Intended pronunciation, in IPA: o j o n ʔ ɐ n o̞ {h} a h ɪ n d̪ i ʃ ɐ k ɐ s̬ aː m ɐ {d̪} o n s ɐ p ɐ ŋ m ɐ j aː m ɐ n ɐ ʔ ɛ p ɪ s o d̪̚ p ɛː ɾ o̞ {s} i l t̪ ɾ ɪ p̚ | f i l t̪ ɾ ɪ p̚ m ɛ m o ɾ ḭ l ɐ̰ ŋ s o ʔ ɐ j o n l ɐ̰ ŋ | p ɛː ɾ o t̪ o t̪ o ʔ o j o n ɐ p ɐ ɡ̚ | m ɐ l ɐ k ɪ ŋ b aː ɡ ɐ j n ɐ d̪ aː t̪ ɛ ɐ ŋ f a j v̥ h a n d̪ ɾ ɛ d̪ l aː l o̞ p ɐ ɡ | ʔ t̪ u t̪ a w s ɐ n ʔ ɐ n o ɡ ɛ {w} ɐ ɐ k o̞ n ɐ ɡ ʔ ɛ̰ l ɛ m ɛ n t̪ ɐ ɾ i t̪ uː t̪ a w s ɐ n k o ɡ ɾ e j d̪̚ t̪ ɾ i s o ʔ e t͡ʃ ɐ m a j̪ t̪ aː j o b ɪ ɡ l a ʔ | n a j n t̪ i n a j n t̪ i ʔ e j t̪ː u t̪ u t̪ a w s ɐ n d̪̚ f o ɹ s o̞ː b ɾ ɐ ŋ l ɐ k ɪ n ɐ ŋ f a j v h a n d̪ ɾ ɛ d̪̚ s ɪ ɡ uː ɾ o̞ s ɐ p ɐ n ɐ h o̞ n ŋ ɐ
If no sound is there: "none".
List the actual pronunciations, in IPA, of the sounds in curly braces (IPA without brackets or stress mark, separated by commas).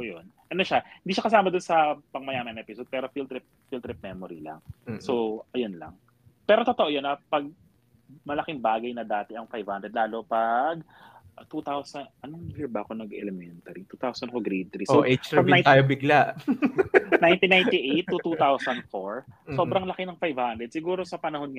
ʃ, d̪, f, b